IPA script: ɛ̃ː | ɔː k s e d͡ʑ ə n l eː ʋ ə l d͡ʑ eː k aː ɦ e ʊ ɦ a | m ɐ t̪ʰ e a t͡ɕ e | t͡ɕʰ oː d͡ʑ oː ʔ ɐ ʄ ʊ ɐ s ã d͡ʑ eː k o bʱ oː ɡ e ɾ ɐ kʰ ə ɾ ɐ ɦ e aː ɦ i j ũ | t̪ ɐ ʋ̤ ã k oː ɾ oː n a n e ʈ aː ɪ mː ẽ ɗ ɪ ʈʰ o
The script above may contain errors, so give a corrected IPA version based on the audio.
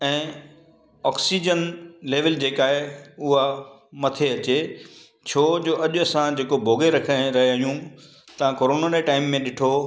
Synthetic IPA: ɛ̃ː | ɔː k s i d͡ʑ ə n l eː ʋ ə l d͡ʑ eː k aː ɦ e ʊ ɦ a | m ɐ t̪ʰ e ɐ t͡ɕ e | t͡ɕʰ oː d͡ʑ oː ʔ ɐ ʄ ʊ ɐ s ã d͡ʑ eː k o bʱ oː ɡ e ɾ ɐ kʰ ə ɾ ɐ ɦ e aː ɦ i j ũ | t̪ ɐ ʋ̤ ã k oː ɾ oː n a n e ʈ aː ɪ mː ẽ ɗ ɪ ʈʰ o